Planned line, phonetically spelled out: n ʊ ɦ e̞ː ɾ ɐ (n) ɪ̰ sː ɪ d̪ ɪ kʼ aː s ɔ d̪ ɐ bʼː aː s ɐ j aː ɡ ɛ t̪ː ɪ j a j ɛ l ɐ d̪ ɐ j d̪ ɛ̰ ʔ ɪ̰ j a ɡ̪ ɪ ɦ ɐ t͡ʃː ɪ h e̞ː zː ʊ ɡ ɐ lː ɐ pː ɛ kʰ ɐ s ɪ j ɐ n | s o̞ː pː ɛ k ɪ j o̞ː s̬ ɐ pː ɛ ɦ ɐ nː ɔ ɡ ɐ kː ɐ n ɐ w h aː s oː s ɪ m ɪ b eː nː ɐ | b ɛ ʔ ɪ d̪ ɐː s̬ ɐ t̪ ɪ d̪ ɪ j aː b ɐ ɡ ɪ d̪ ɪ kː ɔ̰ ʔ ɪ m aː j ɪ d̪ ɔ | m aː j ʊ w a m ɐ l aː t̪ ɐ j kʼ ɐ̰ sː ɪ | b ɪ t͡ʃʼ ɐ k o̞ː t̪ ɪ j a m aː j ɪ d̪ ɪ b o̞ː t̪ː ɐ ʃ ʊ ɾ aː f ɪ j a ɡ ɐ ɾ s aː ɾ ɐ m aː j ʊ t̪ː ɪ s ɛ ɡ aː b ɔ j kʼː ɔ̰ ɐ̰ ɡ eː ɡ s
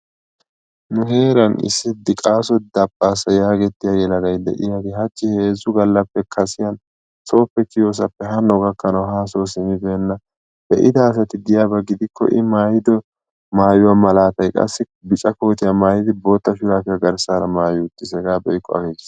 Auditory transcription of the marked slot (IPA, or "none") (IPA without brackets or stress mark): n